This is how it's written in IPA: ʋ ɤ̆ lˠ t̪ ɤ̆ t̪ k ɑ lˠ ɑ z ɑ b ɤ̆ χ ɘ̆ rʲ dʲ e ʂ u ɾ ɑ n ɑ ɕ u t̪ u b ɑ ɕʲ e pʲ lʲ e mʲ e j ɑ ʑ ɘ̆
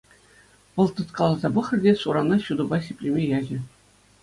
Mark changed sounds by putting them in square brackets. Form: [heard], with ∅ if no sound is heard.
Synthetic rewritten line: ʋ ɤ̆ lˠ t̪ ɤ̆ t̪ k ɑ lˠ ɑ z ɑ b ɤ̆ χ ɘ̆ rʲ dʲ e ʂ u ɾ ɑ n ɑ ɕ u [d̪] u b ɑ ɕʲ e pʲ lʲ e mʲ e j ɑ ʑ ɘ̆

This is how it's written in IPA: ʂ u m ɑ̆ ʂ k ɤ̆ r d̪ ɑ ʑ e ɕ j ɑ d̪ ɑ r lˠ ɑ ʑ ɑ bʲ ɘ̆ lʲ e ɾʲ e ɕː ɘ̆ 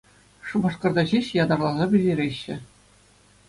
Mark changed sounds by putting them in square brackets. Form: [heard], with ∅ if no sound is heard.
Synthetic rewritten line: ʂ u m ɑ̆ ʂ k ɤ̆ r d̪ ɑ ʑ e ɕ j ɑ d̪ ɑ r lˠ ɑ [z] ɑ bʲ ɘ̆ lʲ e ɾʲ e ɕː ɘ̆

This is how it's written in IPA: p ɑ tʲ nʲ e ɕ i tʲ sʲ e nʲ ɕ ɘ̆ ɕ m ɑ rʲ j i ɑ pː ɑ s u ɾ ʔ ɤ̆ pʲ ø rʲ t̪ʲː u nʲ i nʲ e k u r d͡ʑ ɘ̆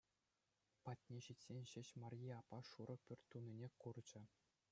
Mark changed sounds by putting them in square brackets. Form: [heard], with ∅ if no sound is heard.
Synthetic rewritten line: p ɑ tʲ nʲ e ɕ i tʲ sʲ e nʲ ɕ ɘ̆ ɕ m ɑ rʲ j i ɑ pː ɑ [ʂ] u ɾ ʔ ɤ̆ pʲ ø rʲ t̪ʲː u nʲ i nʲ e k u r d͡ʑ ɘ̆

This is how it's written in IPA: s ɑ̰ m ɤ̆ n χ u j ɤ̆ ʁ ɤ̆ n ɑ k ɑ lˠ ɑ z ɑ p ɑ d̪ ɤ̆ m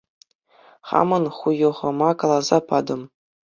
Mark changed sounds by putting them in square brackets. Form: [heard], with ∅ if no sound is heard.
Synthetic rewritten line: [χ] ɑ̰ m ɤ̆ n χ u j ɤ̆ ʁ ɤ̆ [m] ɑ k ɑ lˠ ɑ z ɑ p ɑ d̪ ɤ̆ m

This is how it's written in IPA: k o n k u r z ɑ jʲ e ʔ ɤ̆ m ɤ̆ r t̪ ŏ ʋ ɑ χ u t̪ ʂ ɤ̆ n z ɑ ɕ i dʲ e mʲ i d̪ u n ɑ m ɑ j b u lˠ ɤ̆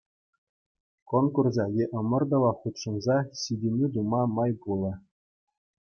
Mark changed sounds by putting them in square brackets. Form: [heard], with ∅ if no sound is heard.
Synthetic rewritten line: k o n k u r z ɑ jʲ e ʔ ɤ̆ m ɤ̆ r [d̪] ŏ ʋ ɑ χ u t̪ ʂ ɤ̆ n z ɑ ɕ i dʲ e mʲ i d̪ u [m] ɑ m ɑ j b u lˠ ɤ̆

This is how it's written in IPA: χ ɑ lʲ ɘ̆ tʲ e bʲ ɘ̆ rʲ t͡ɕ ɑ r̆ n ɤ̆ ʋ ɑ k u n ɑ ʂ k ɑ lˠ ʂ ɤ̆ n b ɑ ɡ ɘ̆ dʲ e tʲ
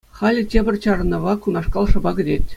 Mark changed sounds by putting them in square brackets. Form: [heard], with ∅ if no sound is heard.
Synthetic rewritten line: χ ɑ lʲ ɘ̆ tʲ e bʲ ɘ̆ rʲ t͡ɕ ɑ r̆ n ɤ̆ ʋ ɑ k u n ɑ ʂ k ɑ lˠ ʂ ɤ̆ [∅] b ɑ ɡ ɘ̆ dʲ e tʲ

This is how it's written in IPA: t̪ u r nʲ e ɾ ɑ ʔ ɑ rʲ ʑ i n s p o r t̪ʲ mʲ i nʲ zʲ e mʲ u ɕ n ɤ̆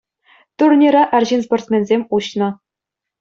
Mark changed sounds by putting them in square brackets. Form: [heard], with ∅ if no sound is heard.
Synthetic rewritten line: t̪ u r nʲ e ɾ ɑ ʔ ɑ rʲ ʑ i n s p o r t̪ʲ mʲ [e] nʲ zʲ e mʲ u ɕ n ɤ̆

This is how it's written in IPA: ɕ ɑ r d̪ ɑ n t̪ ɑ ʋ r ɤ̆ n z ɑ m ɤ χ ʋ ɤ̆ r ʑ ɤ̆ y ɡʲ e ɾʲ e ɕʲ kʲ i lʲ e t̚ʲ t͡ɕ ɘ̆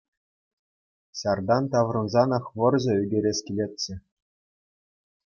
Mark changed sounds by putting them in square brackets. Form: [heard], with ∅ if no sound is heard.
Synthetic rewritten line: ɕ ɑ r d̪ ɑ n t̪ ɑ ʋ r ɤ̆ n z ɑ [n] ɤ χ ʋ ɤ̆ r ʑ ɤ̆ y ɡʲ e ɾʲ e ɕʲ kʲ i lʲ e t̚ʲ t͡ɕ ɘ̆

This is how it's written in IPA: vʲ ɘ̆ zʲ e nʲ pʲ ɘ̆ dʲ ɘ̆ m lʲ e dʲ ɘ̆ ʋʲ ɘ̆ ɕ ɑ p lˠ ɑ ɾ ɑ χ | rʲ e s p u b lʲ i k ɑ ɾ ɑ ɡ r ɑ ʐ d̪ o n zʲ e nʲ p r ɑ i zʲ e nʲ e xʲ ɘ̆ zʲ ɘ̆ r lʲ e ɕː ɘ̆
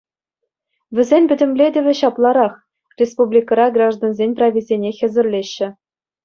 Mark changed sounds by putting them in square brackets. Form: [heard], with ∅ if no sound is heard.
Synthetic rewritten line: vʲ ɘ̆ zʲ e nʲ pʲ ɘ̆ dʲ ɘ̆ m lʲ e dʲ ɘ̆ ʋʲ ɘ̆ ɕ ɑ p lˠ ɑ ɾ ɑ χ | rʲ e s p u b lʲ i k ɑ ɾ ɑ ɡ r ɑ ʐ d̪ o n zʲ e nʲ p r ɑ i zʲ e nʲ e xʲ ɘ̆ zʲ ɘ̆ r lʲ e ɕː ɘ̆

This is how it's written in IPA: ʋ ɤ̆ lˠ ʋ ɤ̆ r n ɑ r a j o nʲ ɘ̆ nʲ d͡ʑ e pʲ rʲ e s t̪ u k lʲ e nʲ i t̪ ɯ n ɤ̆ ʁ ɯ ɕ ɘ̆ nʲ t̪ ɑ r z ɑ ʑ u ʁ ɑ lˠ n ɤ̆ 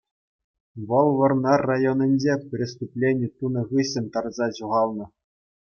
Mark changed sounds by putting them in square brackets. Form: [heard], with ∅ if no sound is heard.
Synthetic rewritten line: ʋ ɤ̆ lˠ ʋ ɤ̆ r n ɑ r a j o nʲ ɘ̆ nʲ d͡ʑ e pʲ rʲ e s t̪ u [p] lʲ e nʲ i t̪ [u] n ɤ̆ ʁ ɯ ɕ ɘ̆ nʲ t̪ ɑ r z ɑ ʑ u ʁ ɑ lˠ n ɤ̆

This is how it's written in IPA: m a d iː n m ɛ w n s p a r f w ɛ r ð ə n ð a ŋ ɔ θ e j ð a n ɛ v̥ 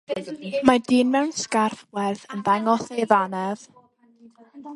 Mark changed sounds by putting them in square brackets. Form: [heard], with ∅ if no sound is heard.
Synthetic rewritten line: m a d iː n m ɛ w n s [k] a r f w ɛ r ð ə n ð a ŋ ɔ θ e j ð a n ɛ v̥

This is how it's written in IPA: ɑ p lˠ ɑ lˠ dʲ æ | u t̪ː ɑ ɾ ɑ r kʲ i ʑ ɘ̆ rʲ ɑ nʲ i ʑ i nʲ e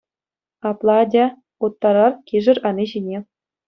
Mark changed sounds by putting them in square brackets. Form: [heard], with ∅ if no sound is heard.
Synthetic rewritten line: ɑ p lˠ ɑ [∅] dʲ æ | u t̪ː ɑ ɾ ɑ r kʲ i [ʐ] ɘ̆ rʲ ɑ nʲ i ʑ i nʲ e

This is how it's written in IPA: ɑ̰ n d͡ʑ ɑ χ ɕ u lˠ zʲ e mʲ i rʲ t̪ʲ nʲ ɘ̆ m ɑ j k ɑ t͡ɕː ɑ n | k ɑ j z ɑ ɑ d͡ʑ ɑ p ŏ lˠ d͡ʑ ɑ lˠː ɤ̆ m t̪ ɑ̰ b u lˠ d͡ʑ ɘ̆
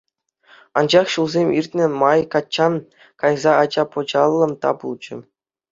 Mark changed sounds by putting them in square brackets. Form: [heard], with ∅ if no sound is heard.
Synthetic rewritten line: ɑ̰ n d͡ʑ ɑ χ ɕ u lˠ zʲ e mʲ i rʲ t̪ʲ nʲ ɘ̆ m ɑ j k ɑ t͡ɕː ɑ n | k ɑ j z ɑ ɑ d͡ʑ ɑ p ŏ [∅] d͡ʑ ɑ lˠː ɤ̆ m t̪ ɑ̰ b u lˠ d͡ʑ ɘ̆

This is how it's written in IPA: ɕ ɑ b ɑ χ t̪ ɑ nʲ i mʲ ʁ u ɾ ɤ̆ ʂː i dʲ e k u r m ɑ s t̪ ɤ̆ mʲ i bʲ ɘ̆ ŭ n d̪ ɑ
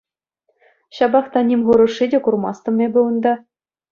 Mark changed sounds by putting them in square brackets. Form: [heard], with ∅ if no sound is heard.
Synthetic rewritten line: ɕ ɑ b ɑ χ t̪ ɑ nʲ i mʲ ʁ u ɾ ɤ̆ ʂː i dʲ e k u r m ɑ s t̪ ɤ̆ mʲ [e] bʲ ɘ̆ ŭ n d̪ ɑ

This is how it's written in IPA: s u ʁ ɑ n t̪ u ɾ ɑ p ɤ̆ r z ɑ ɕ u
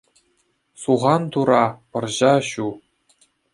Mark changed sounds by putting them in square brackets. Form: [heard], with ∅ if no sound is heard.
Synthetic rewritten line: s u ʁ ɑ n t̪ u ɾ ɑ p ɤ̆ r [ʑ] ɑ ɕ u

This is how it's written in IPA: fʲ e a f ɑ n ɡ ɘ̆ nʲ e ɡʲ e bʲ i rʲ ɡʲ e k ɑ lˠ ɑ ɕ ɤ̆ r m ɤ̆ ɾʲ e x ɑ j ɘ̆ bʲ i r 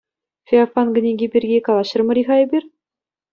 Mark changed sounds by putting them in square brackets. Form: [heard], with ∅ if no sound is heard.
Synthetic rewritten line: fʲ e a f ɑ n ɡ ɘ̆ nʲ e ɡʲ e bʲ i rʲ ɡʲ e k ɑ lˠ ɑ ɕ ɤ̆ r m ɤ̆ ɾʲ [i] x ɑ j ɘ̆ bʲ i r

